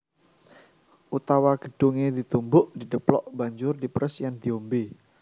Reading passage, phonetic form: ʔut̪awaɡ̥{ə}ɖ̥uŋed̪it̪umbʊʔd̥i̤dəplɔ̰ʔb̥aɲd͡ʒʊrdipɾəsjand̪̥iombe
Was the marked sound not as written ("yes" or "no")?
no